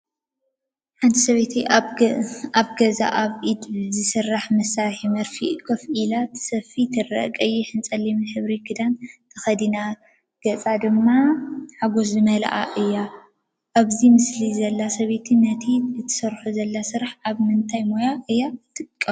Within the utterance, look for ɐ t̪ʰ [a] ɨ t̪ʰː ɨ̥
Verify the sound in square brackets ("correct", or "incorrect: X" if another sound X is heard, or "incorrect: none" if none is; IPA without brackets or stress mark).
incorrect: i